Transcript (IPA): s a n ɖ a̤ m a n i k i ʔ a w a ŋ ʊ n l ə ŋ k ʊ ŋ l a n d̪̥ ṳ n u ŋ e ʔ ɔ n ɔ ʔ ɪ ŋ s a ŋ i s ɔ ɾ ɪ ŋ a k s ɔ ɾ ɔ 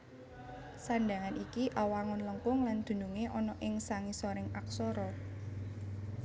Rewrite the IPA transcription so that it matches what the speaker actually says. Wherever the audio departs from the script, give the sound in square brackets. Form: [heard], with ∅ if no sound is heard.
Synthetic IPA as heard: s a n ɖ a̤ [ŋ] a n i k i ʔ a w a ŋ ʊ n l ə ŋ k ʊ ŋ l a n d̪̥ ṳ n u ŋ e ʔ ɔ n ɔ ʔ ɪ ŋ s a ŋ i s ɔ ɾ ɪ ŋ a k s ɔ ɾ ɔ